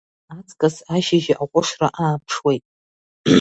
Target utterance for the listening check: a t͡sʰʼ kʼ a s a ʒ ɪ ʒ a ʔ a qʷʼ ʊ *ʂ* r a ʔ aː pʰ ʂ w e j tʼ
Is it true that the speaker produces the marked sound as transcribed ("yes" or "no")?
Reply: yes